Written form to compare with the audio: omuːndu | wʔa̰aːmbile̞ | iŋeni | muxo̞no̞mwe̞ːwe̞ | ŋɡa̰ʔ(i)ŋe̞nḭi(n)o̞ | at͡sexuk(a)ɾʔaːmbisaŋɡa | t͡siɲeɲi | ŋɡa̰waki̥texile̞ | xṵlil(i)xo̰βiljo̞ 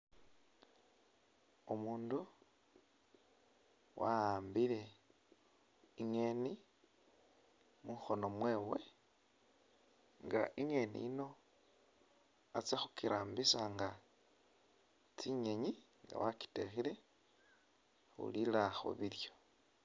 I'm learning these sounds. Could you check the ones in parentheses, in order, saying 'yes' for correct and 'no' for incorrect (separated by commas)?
yes, yes, no, no